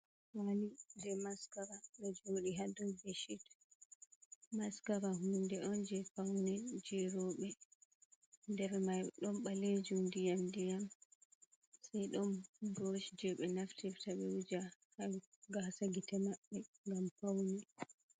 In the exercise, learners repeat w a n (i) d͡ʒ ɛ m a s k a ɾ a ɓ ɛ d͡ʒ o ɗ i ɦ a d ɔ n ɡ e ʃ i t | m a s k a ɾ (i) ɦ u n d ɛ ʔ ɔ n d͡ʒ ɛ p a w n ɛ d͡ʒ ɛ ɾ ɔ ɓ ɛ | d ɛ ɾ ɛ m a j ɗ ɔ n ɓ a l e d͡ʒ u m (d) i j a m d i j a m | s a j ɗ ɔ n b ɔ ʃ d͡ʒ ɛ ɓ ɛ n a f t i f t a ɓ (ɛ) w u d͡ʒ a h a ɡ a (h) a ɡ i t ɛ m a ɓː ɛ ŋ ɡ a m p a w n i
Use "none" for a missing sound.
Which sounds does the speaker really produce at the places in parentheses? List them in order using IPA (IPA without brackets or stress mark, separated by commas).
i, a, d, ɛ, s